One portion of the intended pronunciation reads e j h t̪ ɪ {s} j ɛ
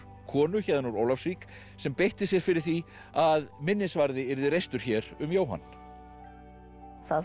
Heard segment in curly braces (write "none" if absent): s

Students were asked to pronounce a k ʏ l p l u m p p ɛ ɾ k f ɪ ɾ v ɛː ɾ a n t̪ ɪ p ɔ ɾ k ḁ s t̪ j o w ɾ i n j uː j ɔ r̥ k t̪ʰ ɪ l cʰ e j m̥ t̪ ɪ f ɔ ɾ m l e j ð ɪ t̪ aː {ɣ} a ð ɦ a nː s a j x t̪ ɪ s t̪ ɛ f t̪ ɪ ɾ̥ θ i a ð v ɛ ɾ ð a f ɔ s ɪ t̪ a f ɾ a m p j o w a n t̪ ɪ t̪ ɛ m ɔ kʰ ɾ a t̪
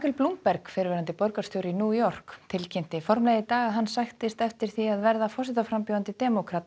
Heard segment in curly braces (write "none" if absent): ɣ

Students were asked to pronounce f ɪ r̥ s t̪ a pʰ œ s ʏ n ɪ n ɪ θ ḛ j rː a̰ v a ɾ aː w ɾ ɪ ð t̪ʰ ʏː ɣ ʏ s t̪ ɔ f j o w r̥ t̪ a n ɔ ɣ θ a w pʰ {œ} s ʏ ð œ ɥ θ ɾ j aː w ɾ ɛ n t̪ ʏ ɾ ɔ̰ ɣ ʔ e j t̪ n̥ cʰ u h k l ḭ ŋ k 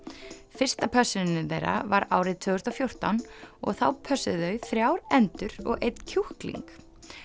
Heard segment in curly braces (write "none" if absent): œ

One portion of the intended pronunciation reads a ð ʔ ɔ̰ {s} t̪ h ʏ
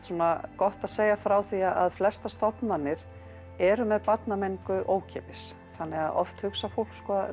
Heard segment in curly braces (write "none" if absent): f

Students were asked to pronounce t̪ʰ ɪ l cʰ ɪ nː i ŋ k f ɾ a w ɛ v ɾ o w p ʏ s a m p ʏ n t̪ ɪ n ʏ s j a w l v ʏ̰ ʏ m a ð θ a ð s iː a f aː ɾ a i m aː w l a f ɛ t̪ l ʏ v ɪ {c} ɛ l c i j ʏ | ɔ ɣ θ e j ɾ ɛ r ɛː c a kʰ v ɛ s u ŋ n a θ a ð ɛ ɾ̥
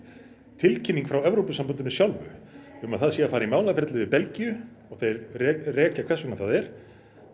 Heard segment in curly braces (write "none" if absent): p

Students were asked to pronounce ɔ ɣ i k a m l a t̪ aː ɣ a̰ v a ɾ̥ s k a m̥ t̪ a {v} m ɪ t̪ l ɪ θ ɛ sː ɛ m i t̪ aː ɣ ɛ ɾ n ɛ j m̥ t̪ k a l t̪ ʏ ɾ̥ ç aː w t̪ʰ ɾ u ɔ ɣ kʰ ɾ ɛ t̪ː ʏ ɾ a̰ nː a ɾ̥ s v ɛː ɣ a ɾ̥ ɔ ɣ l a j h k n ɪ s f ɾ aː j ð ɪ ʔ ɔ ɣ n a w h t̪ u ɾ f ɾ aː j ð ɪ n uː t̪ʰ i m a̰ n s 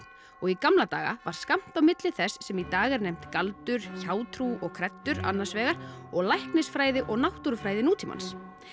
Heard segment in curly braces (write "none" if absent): w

